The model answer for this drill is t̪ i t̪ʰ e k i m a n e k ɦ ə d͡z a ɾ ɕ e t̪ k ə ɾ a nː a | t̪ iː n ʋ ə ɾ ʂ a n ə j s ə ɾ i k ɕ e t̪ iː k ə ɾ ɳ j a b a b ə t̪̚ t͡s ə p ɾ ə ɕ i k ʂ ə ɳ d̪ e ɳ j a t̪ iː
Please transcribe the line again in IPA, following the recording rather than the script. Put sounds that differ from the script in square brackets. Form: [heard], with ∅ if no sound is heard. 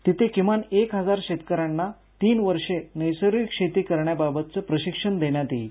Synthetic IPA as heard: t̪ i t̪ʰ e k i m a n e k ɦ ə d͡z a ɾ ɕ e t̪ k ə ɾ a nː a | t̪ iː n ʋ ə ɾ ʂ [e] n ə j s ə ɾ i k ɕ e t̪ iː k ə ɾ ɳ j a b a b ə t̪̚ t͡s ə p ɾ ə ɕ i k ʂ ə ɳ d̪ e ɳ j a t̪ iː

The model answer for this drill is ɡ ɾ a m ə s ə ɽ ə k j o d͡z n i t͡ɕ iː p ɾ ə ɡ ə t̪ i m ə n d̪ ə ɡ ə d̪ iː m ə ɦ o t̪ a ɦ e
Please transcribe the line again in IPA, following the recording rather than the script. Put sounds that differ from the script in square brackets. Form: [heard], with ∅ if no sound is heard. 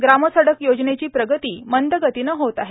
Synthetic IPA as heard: ɡ ɾ a m ə s ə ɽ ə k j o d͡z n [e] t͡ɕ iː p ɾ ə ɡ ə t̪ [iː] m ə n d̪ ə ɡ ə [t̪] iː [n] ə ɦ o t̪ a ɦ e

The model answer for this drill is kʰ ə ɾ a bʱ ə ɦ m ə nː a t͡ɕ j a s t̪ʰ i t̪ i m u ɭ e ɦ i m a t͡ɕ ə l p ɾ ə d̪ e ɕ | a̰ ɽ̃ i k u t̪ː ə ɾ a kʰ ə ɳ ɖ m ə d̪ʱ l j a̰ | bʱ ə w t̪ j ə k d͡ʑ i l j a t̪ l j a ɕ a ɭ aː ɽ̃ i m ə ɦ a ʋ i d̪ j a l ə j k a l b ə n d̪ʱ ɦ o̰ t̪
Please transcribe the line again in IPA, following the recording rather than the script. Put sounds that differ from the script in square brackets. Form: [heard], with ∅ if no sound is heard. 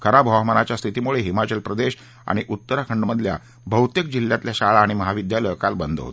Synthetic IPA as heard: kʰ ə ɾ a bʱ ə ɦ m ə [n] a t͡ɕ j a s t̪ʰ i t̪ i m u ɭ e ɦ i m a t͡ɕ ə l p ɾ ə d̪ e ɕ | a̰ ɽ̃ i [ʔ] u t̪ː ə ɾ a kʰ ə ɳ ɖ m ə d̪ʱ l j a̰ | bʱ ə w t̪ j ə k d͡ʑ i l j a t̪ l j a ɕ a ɭ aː ɽ̃ i m ə ɦ a ʋ i d̪ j a l ə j k a l b ə n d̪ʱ ɦ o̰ t̪

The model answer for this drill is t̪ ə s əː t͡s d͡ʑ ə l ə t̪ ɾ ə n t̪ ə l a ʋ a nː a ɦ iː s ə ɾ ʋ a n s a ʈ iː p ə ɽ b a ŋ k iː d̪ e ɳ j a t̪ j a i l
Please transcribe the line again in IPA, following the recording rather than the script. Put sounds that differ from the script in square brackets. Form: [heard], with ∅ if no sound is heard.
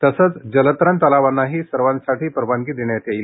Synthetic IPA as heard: t̪ ə s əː t͡s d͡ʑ ə l ə t̪ ɾ ə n t̪ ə l a ʋ a nː a ɦ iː s ə ɾ ʋ a n s a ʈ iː p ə [ɾ] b a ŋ k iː d̪ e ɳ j a t̪ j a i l

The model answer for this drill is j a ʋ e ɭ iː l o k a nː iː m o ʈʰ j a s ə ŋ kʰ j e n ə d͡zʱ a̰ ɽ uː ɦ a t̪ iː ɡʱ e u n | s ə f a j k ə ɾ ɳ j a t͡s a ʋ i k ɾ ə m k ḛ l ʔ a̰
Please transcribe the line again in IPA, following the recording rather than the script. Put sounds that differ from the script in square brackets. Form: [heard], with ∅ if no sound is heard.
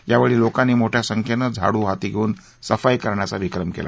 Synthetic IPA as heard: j a ʋ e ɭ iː l o k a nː iː m o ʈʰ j a s ə ŋ kʰ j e n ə d͡zʱ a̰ ɽ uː ɦ a t̪ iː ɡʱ e [uː] n | s ə f a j k ə ɾ ɳ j a t͡s a ʋ i k ɾ ə m k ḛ l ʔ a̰

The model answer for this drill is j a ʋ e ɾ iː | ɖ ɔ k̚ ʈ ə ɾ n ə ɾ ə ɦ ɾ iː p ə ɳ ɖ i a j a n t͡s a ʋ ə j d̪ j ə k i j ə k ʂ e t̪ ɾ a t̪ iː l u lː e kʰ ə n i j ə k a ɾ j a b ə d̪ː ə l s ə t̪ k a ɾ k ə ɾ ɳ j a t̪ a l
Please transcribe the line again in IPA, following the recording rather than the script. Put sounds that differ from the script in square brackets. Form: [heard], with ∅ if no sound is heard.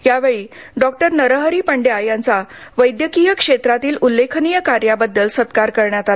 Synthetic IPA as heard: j a ʋ e [ɭ] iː | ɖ ɔ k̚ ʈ ə ɾ n ə ɾ ə ɦ ɾ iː p ə ɳ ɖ [j] a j a n t͡s a ʋ ə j d̪ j ə k i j ə k ʂ e t̪ ɾ a t̪ iː l u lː e kʰ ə n i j ə k a ɾ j a b ə d̪ː ə l s ə t̪ k a ɾ k ə ɾ ɳ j a t̪ a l

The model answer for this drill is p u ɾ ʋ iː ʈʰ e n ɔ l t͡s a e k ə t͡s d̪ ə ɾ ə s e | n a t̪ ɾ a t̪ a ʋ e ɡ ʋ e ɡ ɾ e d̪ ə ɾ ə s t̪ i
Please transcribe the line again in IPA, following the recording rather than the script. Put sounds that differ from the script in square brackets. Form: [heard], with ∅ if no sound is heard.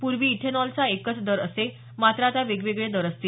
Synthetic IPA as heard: p u ɾ ʋ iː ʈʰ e n ɔ l t͡s a e k ə t͡s d̪ ə ɾ ə s e | [m] a t̪ ɾ a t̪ a ʋ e ɡ ʋ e ɡ [ɭ] e d̪ ə ɾ ə s t̪ i

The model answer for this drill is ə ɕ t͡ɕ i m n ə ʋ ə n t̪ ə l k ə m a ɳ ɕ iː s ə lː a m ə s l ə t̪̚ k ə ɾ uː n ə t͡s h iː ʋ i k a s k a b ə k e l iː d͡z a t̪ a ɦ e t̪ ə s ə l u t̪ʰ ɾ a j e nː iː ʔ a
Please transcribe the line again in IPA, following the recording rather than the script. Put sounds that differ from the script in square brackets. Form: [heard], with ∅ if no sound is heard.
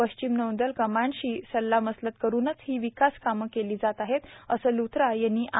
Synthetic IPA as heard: ə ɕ t͡ɕ i m n ə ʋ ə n [d̪] ə l k ə m a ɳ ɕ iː s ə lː a m ə s l ə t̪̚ k ə ɾ uː n ə t͡s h iː ʋ i k a s k a [m] ə k e l iː d͡z a t̪ a ɦ e t̪ ə s ə l u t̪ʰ ɾ a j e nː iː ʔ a

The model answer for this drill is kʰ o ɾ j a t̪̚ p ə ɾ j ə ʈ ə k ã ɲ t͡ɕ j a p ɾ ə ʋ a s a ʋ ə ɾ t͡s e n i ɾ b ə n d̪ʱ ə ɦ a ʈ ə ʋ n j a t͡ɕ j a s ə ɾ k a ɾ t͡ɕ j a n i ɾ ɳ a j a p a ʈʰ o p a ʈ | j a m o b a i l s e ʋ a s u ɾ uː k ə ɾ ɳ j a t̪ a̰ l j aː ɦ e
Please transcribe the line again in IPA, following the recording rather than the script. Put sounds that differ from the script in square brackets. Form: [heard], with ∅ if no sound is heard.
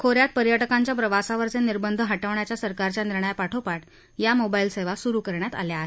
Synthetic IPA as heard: kʰ o ɾ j a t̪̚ p ə ɾ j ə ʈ ə k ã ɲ t͡ɕ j a p ɾ ə ʋ a s a ʋ ə ɾ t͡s e n i ɾ b ə n d̪ʱ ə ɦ a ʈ ə ʋ [ɳ] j a t͡ɕ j a s ə ɾ k a ɾ t͡ɕ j a n i ɾ ɳ [ə] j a p a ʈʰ o p a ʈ | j a m o b a i l s e ʋ a s u ɾ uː k ə ɾ ɳ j a t̪ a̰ l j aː ɦ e

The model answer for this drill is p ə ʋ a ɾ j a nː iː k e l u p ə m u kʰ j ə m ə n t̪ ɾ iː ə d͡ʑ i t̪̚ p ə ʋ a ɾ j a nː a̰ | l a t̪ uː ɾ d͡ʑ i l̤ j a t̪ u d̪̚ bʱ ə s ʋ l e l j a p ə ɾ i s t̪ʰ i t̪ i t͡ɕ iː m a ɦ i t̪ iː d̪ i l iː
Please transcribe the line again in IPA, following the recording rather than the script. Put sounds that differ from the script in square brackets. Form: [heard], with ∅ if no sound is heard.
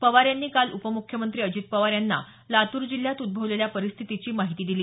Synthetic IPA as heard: p ə ʋ a ɾ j a nː iː k [a] l u p ə m u kʰ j ə m ə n t̪ ɾ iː ə d͡ʑ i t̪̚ p ə ʋ a ɾ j a nː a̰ | l a t̪ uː ɾ d͡ʑ i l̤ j a t̪ u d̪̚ bʱ ə [∅] ʋ l e l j a p ə ɾ i s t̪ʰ i t̪ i t͡ɕ iː m a ɦ i t̪ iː d̪ i l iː

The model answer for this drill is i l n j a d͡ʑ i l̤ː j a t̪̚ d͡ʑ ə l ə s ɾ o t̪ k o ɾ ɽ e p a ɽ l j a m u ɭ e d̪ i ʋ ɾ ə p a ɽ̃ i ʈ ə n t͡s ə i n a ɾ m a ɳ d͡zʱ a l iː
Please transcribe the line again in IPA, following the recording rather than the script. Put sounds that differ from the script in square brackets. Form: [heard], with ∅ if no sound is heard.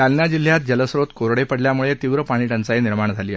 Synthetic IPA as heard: [a] l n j a d͡ʑ i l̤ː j a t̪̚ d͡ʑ ə l ə s ɾ o t̪ k o ɾ ɽ e p [ə] ɽ l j a m u ɭ e [t̪] i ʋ ɾ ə p a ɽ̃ i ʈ ə n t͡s [a] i n [i] ɾ m a ɳ d͡zʱ a l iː

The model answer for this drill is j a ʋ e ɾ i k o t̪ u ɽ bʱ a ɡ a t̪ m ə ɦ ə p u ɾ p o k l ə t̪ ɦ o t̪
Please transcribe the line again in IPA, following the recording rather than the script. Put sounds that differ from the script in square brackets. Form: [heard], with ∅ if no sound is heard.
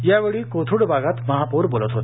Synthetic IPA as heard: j a ʋ e [ɭ] i k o [t̪ʰ] u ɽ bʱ a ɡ a t̪ m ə ɦ [a] p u ɾ [b] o [∅] l ə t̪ ɦ o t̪

